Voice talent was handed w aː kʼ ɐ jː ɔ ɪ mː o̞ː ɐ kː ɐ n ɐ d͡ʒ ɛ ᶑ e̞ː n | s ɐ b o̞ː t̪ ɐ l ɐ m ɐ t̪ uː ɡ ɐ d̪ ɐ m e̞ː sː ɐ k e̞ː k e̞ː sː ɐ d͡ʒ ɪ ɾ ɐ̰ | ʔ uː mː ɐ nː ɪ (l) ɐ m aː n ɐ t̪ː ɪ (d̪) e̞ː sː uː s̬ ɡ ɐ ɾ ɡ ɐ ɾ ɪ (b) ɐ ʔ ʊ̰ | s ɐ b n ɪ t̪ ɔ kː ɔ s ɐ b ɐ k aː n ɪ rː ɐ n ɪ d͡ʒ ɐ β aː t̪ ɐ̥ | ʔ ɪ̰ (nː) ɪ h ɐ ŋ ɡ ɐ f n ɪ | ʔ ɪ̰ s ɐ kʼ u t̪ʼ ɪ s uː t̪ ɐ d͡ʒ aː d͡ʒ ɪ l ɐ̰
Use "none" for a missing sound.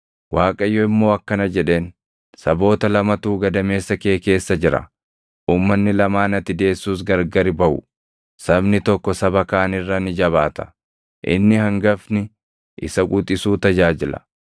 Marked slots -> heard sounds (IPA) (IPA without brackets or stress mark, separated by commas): l, d̪, b, nː